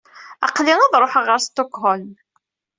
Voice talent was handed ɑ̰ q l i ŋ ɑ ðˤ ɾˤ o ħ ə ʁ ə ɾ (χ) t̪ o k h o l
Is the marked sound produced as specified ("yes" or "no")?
no